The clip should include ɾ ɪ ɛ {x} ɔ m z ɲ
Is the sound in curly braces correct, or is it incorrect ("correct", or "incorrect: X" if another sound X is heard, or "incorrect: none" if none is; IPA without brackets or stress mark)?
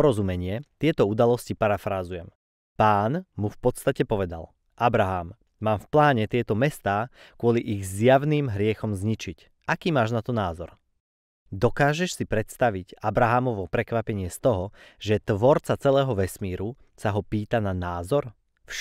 correct